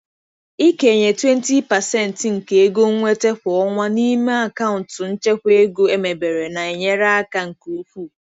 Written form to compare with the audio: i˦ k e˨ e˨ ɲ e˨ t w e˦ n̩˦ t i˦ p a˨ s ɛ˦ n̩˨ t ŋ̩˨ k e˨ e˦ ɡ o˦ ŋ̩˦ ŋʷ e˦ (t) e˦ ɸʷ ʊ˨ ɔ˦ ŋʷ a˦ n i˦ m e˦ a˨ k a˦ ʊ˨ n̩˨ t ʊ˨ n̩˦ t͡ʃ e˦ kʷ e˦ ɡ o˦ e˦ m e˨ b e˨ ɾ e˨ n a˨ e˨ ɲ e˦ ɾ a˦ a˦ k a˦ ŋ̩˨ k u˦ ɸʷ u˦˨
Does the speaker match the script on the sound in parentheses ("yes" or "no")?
yes